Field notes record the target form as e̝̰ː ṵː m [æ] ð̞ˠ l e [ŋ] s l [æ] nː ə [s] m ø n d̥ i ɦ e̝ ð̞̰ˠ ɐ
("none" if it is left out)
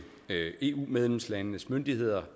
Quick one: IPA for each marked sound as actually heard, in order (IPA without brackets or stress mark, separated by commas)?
e, m, æ, s